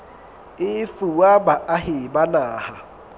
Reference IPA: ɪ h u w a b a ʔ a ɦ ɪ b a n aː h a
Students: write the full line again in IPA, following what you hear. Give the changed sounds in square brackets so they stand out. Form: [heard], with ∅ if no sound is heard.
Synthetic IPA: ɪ [f] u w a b a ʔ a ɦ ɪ b a n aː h a